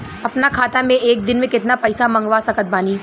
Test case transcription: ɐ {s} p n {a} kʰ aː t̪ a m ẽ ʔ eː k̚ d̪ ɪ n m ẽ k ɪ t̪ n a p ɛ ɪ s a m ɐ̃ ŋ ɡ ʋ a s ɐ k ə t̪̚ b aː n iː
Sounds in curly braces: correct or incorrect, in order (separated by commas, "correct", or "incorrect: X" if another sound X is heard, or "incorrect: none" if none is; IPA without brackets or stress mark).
incorrect: none, correct